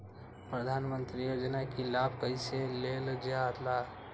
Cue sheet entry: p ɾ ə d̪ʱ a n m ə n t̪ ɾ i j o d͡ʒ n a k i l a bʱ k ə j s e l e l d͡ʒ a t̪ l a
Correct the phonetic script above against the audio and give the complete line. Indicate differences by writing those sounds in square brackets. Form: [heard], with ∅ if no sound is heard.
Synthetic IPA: p ɾ ə d̪ʱ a n m ə n t̪ ɾ i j o d͡ʒ n a k i l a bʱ k ə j s e l e l d͡ʒ a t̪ l a